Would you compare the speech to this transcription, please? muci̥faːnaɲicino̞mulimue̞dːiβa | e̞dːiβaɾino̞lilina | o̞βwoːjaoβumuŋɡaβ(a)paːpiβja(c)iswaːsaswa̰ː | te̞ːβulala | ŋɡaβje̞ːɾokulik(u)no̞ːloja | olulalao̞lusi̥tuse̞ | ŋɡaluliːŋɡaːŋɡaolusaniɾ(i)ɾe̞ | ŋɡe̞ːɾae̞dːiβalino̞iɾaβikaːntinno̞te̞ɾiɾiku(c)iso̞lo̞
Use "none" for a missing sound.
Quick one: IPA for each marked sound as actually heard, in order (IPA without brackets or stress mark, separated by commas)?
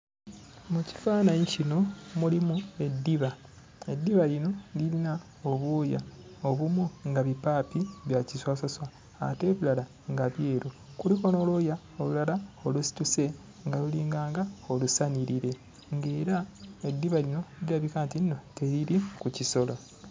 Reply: i, c, o, i, c